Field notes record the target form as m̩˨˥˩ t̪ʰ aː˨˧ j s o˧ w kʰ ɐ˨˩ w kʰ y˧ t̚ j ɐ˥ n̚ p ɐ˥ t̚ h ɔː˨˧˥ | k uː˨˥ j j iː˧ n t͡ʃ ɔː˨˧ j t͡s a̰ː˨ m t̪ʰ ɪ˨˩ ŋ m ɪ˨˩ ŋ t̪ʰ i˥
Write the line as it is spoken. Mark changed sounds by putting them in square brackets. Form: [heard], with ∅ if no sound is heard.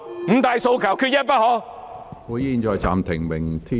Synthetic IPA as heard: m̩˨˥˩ [t̪] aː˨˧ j s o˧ w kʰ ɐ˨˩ w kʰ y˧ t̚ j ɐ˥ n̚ p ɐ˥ t̚ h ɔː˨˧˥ | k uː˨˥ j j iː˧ n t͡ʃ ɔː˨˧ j t͡s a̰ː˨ m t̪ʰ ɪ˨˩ ŋ m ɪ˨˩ ŋ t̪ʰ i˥